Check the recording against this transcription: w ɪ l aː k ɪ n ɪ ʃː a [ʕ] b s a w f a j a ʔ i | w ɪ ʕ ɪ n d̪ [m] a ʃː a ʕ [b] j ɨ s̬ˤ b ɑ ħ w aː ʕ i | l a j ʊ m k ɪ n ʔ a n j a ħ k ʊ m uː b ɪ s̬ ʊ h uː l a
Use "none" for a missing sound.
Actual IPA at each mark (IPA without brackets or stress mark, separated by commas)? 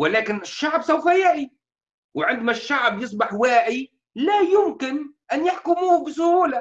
ʕ, m, b